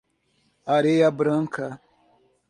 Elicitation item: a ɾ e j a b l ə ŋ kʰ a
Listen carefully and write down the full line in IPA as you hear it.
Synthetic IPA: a ɾ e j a b ɾ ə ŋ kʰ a